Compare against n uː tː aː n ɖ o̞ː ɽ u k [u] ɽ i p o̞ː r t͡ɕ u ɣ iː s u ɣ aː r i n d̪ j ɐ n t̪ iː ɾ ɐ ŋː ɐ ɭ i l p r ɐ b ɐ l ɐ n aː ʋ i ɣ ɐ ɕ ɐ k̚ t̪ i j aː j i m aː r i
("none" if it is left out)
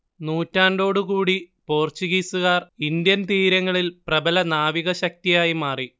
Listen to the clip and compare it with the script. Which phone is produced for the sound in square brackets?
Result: uː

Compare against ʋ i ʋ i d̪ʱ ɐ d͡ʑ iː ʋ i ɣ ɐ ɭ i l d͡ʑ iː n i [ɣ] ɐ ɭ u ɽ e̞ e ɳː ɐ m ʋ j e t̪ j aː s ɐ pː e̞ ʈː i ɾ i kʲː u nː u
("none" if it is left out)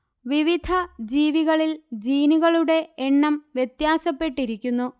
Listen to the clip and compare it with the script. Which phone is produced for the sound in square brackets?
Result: ɣ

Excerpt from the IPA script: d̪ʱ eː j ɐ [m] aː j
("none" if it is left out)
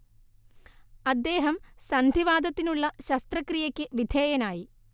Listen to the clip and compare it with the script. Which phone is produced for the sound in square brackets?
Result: n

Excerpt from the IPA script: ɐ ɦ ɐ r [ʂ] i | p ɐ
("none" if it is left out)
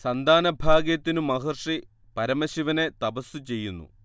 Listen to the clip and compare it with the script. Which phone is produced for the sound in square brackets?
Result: ʂ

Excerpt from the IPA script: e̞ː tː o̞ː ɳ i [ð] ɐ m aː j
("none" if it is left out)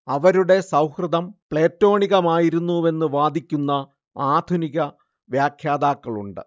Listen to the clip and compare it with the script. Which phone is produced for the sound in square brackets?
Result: ɣ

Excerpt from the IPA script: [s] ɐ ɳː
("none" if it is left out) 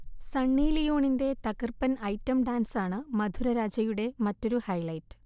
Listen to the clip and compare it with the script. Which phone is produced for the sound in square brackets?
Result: s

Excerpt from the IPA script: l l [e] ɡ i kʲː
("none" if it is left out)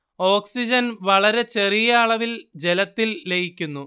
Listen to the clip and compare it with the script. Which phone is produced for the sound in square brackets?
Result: e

